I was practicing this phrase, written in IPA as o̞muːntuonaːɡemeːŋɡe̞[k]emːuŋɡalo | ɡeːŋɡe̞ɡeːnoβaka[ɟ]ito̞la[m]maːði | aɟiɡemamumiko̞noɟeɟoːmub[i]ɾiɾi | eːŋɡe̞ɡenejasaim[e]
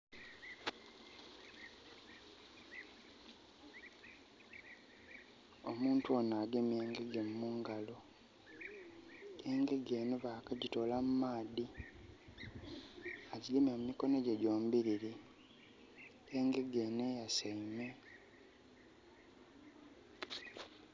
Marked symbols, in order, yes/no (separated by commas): no, yes, yes, yes, yes